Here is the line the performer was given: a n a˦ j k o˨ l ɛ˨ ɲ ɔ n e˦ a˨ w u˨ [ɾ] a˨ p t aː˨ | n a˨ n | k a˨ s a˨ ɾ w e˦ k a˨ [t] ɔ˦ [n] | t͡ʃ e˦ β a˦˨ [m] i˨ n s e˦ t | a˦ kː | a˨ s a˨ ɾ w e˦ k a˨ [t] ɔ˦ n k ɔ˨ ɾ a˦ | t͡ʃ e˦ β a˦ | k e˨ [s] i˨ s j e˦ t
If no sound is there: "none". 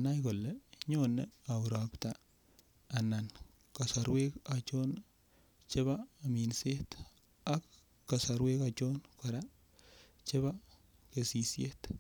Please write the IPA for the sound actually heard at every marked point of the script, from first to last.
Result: ɾ, t͡ʃ, n, m, t͡ʃ, s

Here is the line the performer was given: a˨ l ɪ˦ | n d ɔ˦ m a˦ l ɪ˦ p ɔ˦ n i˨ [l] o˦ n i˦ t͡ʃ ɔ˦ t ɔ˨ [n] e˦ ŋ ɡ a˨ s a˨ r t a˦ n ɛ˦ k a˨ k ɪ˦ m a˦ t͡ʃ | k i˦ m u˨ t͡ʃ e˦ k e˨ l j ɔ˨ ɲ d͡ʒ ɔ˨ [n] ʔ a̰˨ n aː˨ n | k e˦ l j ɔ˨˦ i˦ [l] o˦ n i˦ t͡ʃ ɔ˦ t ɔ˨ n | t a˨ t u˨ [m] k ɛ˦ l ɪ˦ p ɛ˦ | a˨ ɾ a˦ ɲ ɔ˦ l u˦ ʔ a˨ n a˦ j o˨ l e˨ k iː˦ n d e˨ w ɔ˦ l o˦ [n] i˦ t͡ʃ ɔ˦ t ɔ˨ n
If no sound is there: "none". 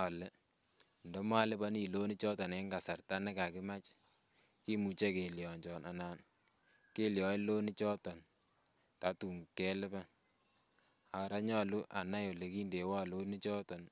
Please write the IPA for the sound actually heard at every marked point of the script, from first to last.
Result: l, n, n, l, ŋ, n

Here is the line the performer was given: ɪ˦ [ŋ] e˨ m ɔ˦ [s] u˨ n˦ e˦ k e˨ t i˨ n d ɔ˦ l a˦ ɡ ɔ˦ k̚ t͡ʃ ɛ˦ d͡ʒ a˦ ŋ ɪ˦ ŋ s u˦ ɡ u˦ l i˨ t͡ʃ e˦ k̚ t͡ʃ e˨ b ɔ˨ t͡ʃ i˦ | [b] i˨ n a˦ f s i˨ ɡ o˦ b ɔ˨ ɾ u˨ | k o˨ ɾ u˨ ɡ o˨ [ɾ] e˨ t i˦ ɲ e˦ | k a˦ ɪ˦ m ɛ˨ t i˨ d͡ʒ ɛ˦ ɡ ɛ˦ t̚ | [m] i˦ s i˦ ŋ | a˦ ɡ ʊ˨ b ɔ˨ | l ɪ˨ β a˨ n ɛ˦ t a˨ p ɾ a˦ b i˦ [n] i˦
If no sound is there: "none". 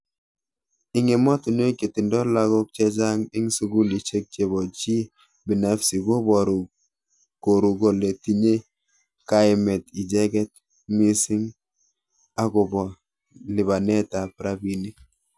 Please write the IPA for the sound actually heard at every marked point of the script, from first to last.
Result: ŋ, t, b, l, m, n

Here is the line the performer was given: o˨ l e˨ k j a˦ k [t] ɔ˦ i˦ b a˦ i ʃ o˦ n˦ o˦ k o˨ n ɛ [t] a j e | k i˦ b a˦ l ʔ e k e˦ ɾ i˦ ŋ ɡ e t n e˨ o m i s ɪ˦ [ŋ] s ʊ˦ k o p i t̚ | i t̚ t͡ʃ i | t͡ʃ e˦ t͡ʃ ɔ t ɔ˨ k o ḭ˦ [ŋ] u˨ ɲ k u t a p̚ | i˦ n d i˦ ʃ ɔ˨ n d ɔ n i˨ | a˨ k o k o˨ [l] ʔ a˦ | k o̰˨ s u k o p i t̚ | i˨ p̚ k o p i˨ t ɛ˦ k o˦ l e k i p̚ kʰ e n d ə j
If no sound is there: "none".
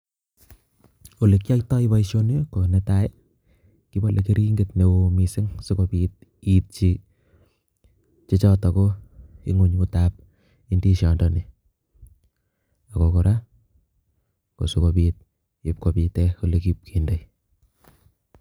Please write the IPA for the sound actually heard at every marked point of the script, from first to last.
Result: t, t, ŋ, ŋ, ɾ

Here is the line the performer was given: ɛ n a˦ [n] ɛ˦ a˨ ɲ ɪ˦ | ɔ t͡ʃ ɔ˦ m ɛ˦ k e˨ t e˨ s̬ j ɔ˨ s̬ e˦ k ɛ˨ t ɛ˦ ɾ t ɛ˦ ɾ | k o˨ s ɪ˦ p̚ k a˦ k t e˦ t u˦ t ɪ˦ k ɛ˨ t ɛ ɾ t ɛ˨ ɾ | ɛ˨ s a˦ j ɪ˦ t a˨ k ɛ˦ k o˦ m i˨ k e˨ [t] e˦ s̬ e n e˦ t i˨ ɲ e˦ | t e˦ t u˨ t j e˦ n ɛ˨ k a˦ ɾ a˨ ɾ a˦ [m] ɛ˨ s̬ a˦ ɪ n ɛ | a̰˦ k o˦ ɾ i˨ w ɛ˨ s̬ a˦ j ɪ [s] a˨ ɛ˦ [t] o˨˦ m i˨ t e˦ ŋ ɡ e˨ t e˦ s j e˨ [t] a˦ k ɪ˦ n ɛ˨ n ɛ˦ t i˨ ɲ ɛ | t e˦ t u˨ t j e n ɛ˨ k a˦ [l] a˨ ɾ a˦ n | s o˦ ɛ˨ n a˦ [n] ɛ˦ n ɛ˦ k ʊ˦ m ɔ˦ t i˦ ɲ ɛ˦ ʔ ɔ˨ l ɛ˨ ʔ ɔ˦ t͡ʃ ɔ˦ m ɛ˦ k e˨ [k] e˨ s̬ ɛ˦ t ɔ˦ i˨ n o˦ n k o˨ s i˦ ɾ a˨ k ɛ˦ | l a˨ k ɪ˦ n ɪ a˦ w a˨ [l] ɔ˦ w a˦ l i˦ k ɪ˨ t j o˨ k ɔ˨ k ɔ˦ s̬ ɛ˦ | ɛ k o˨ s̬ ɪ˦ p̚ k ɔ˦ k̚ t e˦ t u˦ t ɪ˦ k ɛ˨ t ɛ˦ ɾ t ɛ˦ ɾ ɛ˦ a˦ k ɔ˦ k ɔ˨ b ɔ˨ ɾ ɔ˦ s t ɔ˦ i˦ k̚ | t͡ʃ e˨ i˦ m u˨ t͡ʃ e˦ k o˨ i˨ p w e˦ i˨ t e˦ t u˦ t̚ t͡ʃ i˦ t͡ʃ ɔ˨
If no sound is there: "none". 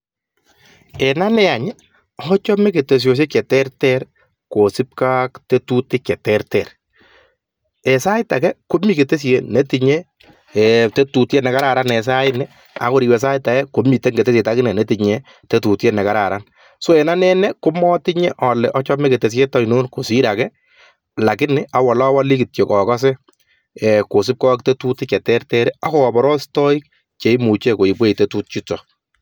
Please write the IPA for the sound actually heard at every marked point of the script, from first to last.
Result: n, t, n, t, k, t, ɾ, n, t, l

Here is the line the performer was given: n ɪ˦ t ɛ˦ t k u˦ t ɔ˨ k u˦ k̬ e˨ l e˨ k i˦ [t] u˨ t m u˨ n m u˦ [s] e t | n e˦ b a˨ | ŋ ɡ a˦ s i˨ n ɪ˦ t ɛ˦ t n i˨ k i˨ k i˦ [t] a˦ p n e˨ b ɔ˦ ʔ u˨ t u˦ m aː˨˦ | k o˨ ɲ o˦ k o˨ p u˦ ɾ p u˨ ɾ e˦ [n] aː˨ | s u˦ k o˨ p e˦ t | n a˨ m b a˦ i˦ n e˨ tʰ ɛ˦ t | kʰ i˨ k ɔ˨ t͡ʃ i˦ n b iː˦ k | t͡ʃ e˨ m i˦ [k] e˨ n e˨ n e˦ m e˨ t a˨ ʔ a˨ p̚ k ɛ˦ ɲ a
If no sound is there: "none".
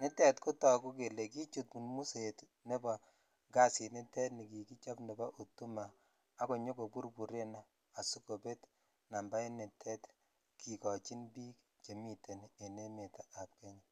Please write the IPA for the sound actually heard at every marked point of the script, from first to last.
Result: t͡ʃ, s, t͡ʃ, n, t

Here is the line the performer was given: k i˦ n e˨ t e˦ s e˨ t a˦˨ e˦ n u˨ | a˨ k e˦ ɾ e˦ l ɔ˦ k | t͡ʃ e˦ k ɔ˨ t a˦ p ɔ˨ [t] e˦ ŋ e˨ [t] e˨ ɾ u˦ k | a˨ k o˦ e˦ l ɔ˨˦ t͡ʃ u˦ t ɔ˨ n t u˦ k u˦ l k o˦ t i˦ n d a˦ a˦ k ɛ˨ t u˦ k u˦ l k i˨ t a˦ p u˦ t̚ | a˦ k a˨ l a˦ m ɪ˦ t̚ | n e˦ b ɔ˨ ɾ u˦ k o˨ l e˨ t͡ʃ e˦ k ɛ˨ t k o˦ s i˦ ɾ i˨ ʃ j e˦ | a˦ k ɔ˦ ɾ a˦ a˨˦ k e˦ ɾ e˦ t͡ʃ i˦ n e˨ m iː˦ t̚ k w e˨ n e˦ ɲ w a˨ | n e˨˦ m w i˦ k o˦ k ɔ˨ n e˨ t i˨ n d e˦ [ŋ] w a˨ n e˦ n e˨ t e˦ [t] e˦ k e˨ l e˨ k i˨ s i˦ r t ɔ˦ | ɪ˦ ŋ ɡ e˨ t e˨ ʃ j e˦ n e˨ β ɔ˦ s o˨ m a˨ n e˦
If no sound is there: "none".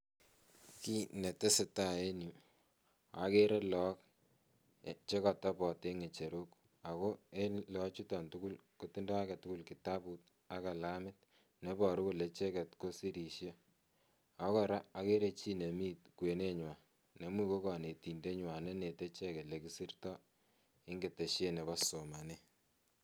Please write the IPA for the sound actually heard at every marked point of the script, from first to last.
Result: t, t͡ʃ, ɲ, t͡ʃ

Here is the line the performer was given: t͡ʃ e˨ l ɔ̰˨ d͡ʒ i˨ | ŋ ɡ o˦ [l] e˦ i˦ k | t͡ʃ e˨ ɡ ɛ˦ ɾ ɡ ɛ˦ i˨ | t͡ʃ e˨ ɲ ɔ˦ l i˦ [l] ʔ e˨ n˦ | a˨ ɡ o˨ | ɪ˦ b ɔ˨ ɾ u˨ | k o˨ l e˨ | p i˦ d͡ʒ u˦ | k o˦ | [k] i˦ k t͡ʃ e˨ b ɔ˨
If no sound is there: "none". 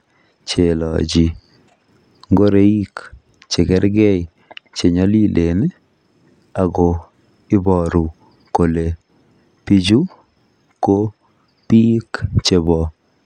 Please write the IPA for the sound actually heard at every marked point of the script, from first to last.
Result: ɾ, l, p

